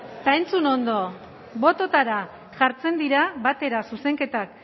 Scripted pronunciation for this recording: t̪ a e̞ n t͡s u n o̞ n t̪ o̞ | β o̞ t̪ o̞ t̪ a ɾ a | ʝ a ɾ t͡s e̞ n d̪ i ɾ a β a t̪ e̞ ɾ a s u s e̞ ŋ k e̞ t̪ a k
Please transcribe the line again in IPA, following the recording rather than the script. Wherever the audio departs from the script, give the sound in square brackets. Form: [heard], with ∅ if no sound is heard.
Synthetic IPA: t̪ a e̞ n t͡s u n o̞ n [d̪] o̞ | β o̞ t̪ o̞ t̪ a ɾ a | ʝ a ɾ t͡s e̞ n d̪ i ɾ a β a t̪ e̞ ɾ a s u s e̞ ŋ k e̞ t̪ a k